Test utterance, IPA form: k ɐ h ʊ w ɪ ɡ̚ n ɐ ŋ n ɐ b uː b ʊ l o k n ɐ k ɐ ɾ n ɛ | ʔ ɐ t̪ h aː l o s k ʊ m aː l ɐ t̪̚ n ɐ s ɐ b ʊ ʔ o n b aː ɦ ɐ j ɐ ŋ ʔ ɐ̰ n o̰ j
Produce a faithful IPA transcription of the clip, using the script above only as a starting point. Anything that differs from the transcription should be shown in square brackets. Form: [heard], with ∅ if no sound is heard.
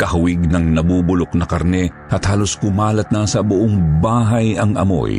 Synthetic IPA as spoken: k ɐ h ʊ w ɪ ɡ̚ n ɐ ŋ n ɐ b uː b ʊ l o k n ɐ k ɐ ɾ n ɛ | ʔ ɐ t̪ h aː l o s k ʊ m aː l ɐ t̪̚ n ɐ s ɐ b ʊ ʔ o [ŋ] b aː ɦ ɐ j ɐ ŋ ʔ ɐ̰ [m] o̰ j